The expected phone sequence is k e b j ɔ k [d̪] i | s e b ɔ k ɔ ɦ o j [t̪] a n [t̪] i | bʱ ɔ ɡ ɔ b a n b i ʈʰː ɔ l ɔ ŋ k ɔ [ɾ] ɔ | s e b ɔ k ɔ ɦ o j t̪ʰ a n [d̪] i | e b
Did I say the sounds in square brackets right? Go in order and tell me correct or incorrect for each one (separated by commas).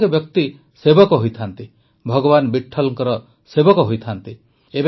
incorrect, incorrect, correct, correct, incorrect